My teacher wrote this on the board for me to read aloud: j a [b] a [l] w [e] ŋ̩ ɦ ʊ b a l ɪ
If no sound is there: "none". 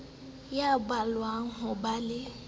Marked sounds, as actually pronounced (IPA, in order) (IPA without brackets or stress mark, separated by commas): b, l, a